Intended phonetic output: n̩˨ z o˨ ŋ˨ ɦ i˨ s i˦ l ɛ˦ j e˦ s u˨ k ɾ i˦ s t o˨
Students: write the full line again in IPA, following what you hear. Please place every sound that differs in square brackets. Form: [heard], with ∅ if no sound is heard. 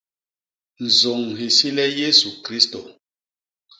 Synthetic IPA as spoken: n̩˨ z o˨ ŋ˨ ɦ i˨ s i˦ l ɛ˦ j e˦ s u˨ k ɾ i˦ s t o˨